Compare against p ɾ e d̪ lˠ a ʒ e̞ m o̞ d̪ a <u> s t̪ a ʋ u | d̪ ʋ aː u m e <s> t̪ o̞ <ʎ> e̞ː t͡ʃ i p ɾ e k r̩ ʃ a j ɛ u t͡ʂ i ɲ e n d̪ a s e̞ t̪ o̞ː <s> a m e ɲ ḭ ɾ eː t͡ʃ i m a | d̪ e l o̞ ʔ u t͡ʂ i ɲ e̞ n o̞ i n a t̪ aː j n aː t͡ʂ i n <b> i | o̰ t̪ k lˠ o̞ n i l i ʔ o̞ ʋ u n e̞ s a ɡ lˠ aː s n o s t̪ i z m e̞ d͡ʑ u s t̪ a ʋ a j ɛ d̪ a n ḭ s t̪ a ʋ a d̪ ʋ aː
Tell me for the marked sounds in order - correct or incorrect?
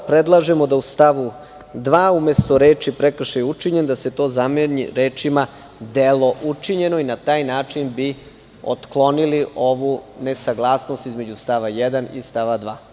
correct, correct, incorrect: ɾ, incorrect: z, correct

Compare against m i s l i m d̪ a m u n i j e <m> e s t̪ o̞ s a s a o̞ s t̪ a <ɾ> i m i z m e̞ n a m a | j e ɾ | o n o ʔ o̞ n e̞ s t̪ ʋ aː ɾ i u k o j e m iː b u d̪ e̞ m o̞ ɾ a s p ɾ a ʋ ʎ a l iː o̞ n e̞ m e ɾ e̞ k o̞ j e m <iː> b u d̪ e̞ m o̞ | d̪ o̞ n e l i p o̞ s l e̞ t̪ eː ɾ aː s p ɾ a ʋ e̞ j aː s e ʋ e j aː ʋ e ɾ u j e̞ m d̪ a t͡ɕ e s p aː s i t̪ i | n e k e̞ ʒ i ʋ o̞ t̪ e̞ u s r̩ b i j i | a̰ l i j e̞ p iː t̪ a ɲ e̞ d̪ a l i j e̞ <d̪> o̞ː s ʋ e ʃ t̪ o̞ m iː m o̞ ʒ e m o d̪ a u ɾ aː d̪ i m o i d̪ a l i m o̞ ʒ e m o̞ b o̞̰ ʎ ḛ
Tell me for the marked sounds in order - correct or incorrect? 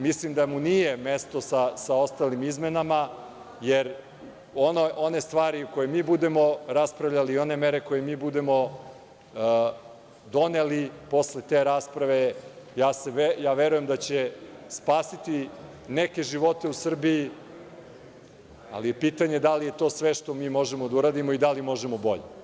correct, incorrect: l, correct, incorrect: t̪

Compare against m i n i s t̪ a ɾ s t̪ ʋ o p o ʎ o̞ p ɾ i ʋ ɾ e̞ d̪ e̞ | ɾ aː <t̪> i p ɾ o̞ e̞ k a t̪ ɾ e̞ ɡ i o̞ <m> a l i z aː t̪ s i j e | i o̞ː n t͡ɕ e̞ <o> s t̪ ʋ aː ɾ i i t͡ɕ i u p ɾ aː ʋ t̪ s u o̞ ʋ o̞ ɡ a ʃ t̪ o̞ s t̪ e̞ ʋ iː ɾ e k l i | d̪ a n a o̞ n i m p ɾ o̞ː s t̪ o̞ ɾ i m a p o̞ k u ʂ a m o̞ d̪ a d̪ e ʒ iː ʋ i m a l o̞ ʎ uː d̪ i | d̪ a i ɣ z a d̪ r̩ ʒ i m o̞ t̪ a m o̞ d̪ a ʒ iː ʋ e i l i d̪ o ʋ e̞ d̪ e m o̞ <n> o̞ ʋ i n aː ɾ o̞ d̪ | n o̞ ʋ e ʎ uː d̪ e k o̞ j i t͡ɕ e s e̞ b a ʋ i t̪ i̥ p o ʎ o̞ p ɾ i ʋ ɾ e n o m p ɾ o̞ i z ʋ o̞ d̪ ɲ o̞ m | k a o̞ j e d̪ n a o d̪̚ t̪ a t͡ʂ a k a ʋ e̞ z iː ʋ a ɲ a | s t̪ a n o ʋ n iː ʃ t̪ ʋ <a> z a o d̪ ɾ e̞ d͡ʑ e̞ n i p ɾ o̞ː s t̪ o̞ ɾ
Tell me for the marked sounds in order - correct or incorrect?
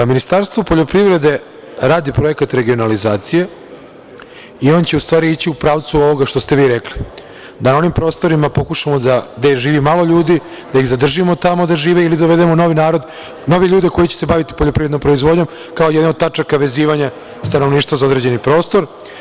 incorrect: d̪, incorrect: n, incorrect: u, correct, correct

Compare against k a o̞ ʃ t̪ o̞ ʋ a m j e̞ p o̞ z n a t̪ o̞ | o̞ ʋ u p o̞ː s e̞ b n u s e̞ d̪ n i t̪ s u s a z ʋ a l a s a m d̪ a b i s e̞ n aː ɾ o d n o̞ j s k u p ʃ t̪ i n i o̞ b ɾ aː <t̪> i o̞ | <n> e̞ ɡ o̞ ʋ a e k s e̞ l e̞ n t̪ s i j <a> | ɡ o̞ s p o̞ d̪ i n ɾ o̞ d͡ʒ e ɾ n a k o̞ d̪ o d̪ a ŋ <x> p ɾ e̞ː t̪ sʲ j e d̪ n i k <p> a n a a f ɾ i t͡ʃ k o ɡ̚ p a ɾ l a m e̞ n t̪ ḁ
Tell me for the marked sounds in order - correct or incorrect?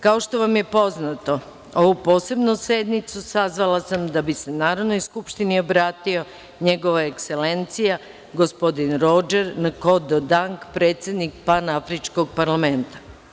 correct, incorrect: ɲ, correct, incorrect: k, correct

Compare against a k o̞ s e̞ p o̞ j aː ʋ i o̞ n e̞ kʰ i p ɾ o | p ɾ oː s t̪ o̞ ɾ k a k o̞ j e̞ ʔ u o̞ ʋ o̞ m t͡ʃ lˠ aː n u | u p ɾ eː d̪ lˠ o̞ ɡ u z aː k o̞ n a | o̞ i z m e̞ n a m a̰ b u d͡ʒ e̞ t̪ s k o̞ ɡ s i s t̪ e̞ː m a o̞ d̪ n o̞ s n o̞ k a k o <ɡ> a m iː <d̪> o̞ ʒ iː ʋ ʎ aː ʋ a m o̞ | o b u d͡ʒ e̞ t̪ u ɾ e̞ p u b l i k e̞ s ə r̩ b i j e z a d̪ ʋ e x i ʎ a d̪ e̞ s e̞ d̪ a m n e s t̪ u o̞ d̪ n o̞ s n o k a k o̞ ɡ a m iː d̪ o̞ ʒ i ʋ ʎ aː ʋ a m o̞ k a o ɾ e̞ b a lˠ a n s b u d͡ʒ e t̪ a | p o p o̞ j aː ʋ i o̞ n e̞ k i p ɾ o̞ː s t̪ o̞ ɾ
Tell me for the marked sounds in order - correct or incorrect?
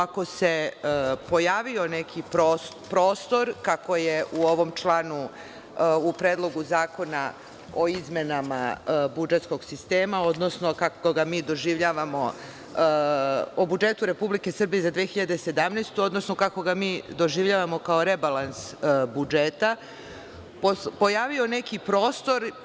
correct, correct

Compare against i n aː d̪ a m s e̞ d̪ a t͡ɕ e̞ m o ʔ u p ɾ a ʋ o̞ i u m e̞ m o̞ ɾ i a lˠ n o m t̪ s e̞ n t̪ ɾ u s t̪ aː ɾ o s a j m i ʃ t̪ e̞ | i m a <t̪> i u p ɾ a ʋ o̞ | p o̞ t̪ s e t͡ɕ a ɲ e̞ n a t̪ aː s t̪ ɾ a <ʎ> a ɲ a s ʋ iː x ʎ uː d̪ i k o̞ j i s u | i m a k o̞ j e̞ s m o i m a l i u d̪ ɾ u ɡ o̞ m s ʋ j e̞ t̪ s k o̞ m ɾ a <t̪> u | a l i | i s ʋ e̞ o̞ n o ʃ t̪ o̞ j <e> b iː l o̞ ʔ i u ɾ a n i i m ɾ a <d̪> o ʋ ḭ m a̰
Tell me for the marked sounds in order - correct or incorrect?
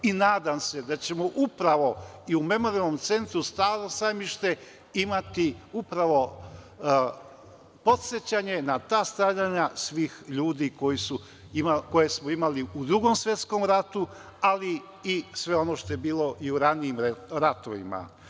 correct, correct, correct, correct, incorrect: t̪

